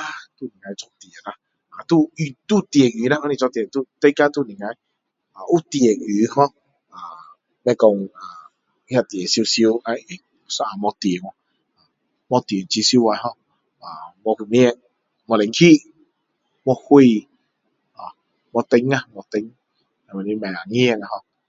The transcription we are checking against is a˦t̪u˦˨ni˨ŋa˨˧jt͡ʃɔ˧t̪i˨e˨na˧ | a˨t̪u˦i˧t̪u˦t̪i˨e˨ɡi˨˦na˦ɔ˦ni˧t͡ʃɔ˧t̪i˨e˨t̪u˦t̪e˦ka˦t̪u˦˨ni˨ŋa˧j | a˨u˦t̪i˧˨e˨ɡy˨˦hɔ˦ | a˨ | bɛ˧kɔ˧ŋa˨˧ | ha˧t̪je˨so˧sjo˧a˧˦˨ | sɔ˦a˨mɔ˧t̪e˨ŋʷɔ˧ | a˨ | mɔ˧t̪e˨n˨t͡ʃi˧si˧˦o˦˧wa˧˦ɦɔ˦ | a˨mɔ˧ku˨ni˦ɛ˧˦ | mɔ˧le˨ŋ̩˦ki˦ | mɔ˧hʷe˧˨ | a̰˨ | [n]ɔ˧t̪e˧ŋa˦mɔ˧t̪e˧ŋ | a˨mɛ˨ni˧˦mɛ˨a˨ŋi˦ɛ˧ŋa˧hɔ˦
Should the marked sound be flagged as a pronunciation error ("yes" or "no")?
yes